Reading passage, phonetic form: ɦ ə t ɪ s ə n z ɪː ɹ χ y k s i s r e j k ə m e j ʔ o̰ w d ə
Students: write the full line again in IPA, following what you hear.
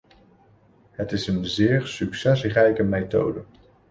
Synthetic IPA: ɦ ə t ɪ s ə n z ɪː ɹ s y k s ɛ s r ɛ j k ə m e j t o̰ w d ə